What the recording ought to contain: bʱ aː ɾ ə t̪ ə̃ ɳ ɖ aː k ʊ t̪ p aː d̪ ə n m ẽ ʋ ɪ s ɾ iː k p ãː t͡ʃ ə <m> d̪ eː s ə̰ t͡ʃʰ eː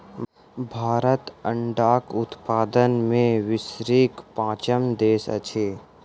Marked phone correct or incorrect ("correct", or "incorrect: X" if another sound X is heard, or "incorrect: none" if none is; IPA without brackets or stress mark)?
correct